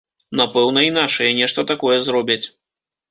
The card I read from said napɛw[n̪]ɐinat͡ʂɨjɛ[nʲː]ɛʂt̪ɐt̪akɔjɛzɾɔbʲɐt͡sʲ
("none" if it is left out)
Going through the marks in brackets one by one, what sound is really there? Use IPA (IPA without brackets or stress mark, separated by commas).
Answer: n̪, nʲ